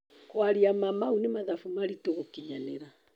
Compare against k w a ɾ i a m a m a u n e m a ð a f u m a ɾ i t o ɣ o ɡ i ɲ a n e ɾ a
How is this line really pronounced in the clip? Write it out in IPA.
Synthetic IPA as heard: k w a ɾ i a m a m a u n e m a ð a f u m a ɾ i t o ɣ o k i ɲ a n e ɾ a